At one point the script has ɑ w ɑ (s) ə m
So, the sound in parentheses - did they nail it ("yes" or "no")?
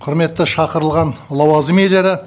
no